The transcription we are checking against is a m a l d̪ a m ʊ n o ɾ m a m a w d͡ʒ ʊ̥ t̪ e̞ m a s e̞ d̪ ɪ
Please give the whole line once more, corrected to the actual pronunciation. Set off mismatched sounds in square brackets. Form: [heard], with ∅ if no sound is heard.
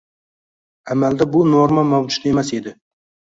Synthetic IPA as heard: a m a l d̪ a [b] ʊ n o ɾ m a m a w d͡ʒ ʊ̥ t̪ e̞ m a s e̞ d̪ ɪ